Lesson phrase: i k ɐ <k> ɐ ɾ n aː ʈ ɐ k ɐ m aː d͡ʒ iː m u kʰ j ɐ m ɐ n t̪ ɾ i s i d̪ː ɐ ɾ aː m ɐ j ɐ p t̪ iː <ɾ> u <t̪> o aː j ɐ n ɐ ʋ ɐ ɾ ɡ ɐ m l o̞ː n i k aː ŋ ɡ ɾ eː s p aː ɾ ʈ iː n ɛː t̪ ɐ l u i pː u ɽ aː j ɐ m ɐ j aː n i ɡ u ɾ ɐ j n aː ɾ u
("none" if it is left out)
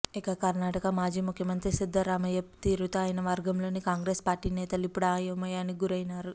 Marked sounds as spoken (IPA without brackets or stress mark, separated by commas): k, ɾ, t̪